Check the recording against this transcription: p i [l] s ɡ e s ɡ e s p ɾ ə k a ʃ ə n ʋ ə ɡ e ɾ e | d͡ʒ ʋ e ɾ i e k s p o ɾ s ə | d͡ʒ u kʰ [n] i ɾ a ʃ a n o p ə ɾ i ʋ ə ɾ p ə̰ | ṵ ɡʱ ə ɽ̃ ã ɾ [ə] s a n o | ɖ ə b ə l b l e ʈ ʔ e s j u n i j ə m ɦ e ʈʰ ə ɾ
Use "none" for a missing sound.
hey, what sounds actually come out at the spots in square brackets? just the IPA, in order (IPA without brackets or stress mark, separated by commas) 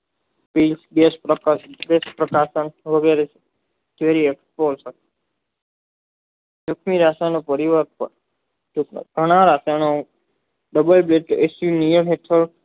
l, m, a